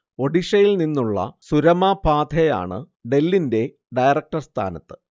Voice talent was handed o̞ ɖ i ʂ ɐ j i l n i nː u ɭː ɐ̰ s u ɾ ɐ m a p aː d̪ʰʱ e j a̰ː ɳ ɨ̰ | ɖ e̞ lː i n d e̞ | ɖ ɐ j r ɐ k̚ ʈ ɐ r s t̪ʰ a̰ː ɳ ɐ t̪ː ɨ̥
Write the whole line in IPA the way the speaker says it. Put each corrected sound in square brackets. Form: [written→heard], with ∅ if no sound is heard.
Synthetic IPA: o̞ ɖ i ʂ ɐ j i l n i nː u ɭː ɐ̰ s u ɾ ɐ m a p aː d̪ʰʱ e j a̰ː ɳ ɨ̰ | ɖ e̞ lː i n d e̞ | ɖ ɐ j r ɐ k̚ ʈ ɐ r s t̪ʰ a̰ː [ɳ→n] ɐ t̪ː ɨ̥